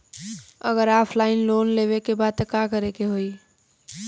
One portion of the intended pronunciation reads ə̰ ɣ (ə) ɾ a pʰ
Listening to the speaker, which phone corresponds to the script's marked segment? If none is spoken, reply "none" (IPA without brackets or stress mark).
ə